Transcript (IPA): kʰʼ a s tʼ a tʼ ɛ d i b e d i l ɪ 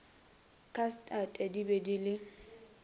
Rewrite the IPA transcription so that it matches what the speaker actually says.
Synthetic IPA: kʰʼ a s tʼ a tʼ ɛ d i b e d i l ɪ